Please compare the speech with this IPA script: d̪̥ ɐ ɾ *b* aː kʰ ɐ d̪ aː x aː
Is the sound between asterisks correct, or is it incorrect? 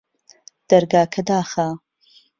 incorrect